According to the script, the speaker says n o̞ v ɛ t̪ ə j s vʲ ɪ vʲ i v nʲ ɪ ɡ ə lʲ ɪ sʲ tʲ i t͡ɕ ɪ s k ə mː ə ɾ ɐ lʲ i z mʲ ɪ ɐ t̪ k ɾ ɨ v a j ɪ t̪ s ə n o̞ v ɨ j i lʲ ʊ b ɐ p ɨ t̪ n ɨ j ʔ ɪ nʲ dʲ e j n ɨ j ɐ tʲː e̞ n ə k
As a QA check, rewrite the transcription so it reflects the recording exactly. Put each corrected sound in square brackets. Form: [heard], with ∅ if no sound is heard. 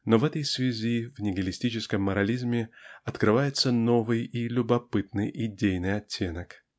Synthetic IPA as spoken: n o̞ v ɛ t̪ ə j s vʲ ɪ [zʲ] i v nʲ ɪ ɡ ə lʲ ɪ sʲ tʲ i t͡ɕ ɪ s k ə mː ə ɾ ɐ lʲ i z mʲ ɪ ɐ t̪ k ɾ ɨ v a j ɪ t̪ s ə n o̞ v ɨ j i lʲ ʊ b ɐ p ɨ t̪ n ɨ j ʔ ɪ [∅] dʲ e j n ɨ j ɐ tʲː e̞ n ə k